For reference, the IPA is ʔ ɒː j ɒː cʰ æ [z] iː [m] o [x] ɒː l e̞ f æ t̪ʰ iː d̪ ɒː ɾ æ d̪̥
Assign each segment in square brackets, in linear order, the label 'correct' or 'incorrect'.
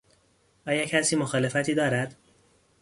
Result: incorrect, correct, correct

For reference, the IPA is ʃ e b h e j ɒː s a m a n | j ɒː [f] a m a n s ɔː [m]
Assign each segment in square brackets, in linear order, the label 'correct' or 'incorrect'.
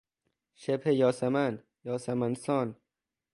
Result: incorrect, incorrect

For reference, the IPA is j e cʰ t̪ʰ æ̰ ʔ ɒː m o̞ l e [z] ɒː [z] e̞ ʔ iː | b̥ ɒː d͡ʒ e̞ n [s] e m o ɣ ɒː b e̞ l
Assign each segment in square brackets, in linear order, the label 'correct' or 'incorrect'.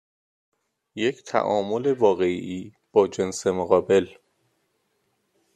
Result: incorrect, incorrect, correct

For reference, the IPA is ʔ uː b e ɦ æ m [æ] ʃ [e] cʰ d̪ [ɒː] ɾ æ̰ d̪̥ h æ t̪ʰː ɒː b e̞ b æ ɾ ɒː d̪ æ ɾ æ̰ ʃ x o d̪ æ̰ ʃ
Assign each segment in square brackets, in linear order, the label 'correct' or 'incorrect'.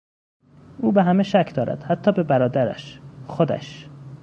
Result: incorrect, incorrect, correct

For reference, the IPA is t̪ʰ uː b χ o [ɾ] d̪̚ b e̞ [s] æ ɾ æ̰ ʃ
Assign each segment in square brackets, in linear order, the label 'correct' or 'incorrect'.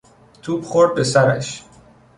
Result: correct, correct

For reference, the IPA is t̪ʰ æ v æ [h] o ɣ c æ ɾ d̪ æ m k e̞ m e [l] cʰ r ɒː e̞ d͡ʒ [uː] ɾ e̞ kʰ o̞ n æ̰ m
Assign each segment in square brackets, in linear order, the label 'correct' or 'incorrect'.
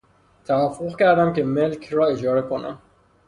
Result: incorrect, correct, incorrect

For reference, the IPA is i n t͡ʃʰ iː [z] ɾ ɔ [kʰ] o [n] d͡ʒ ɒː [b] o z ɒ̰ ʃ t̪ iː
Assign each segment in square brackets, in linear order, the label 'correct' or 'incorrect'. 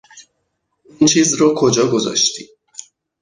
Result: correct, correct, incorrect, incorrect

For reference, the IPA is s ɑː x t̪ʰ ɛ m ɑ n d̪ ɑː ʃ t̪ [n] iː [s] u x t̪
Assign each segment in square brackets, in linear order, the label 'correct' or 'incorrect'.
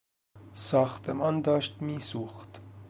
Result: incorrect, correct

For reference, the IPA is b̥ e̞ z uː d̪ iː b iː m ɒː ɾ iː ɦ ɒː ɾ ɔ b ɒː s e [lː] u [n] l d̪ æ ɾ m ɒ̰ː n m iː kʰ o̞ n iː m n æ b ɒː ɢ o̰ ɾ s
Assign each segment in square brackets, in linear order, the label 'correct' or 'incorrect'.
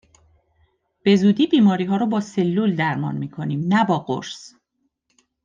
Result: correct, incorrect

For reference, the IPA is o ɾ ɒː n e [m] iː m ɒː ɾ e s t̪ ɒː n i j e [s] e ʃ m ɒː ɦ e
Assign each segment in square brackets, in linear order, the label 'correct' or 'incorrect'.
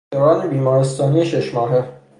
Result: incorrect, incorrect

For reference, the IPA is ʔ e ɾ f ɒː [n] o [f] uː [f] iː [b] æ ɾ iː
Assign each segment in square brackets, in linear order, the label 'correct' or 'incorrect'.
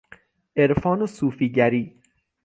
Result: correct, incorrect, correct, incorrect

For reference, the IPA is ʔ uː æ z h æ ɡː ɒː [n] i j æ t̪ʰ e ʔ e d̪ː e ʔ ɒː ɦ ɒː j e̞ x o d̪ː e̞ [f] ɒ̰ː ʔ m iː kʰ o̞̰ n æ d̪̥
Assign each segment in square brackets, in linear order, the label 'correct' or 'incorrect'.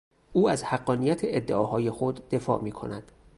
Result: correct, correct

